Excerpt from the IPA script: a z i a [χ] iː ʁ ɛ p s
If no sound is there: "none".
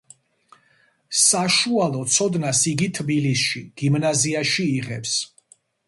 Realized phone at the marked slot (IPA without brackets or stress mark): ʃ